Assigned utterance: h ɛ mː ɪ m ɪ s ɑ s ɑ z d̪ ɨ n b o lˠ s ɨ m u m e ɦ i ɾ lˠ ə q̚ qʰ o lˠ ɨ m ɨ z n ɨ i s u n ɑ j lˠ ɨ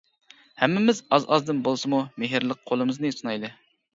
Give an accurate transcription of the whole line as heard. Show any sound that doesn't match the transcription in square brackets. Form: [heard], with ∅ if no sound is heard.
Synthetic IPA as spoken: h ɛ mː ɪ m ɪ [z] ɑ [z] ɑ z d̪ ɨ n b o lˠ s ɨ m u m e ɦ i ɾ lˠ ə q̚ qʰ o lˠ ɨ m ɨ z n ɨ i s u n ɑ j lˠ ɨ